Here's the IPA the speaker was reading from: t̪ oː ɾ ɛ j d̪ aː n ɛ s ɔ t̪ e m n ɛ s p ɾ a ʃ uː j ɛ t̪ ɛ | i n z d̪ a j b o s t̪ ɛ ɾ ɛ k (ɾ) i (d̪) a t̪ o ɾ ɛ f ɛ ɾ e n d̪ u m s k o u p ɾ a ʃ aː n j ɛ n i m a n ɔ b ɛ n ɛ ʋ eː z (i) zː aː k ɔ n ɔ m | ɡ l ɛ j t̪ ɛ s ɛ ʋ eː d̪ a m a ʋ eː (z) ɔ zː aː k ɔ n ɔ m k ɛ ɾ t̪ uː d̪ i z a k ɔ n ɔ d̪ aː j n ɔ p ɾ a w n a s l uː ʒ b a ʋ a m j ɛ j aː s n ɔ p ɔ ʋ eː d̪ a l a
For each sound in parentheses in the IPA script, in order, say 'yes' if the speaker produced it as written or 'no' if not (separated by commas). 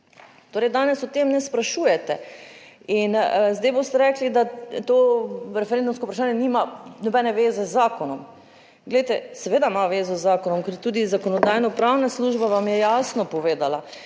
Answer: no, yes, no, yes